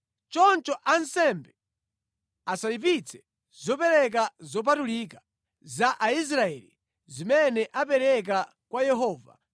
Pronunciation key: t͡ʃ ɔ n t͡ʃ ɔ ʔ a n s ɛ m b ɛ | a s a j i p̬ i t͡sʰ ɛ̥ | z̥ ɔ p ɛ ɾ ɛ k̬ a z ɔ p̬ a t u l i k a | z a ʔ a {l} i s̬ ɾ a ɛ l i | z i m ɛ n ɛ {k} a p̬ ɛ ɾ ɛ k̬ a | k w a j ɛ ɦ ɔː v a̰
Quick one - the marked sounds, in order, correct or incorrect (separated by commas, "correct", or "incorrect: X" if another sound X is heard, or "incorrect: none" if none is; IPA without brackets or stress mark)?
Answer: incorrect: none, incorrect: ʔ